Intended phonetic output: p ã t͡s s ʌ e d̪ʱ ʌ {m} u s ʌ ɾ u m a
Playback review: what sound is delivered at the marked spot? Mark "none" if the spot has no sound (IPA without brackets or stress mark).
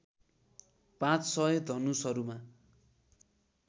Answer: n